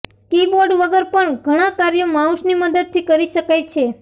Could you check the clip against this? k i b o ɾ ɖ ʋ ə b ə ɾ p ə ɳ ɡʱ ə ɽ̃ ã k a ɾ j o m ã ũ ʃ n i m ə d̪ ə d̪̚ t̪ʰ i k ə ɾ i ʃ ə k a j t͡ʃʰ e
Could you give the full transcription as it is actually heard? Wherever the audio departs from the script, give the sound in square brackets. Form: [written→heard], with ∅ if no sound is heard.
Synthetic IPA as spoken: k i b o ɾ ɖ ʋ ə [b→ɡ] ə ɾ p ə ɳ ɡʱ ə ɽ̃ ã k a ɾ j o m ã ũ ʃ n i m ə d̪ ə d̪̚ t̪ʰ i k ə ɾ i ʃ ə k a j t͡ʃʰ e